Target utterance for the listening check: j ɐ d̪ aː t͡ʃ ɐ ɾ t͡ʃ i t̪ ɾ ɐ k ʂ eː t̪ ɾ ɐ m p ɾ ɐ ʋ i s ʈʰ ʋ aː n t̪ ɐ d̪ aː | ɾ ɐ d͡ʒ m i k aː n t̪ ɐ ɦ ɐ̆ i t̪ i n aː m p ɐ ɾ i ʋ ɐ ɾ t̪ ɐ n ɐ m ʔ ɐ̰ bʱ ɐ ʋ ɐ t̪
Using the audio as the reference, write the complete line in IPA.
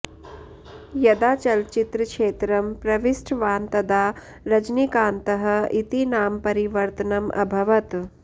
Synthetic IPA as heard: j ɐ d̪ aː t͡ʃ ɐ l t͡ʃ i t̪ ɾ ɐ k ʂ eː t̪ ɾ ɐ m p ɾ ɐ ʋ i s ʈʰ ʋ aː n t̪ ɐ d̪ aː | ɾ ɐ d͡ʒ n i k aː n t̪ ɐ ɦ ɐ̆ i t̪ i n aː m p ɐ ɾ i ʋ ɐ ɾ t̪ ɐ n ɐ m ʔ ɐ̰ bʱ ɐ ʋ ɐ t̪